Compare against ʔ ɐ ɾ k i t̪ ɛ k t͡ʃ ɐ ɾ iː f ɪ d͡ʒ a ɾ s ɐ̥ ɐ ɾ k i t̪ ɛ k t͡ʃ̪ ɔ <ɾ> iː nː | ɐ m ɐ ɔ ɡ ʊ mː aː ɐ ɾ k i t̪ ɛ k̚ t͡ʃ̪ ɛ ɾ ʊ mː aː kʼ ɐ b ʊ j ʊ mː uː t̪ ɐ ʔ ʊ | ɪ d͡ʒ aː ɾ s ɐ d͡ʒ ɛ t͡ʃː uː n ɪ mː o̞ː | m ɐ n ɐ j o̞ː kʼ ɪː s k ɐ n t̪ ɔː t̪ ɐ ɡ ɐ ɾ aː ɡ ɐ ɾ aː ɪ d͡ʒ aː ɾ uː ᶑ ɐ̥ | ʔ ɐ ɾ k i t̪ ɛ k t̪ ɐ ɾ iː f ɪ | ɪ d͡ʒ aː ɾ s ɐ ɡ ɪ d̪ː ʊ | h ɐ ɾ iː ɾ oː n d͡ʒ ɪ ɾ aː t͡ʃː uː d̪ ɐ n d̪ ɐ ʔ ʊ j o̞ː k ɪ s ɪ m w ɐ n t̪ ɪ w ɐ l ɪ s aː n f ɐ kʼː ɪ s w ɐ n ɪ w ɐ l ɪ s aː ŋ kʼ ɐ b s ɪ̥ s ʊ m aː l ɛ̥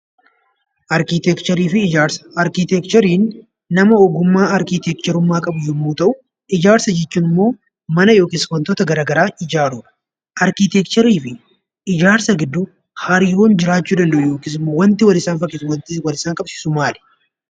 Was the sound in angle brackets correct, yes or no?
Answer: yes